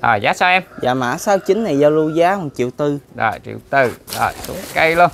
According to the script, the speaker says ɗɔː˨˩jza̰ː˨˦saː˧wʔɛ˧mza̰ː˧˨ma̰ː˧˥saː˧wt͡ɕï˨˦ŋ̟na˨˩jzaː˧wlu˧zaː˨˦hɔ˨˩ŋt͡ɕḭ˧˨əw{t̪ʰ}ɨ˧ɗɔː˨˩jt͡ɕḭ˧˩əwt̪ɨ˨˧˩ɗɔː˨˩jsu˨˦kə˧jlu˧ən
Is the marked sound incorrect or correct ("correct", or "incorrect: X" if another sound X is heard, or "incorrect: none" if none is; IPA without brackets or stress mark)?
incorrect: t̪